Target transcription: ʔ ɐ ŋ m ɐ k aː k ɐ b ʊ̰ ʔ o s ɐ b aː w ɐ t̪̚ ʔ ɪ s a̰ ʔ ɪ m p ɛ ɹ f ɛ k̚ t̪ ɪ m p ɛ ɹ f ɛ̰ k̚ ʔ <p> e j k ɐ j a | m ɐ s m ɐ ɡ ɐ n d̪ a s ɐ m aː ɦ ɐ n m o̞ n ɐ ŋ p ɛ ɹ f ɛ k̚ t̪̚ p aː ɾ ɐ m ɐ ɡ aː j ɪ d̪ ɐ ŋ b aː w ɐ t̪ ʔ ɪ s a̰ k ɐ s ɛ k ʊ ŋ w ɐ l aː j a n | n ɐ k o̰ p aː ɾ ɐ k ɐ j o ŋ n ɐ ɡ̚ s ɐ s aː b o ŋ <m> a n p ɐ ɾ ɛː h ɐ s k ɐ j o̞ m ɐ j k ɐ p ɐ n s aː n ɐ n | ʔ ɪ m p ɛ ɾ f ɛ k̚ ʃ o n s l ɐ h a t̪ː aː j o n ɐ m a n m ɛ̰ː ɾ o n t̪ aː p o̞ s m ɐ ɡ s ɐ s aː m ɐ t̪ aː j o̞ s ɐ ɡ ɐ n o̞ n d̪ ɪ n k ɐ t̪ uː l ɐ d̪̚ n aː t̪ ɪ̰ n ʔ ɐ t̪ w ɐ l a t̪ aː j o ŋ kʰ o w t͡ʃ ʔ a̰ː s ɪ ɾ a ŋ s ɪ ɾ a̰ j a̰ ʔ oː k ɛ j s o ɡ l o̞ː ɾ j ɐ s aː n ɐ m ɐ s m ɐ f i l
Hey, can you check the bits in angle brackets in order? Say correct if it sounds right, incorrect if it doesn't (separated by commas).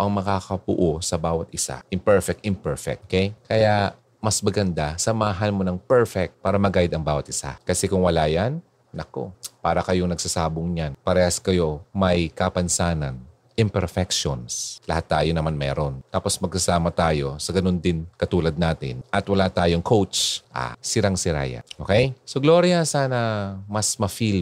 incorrect, incorrect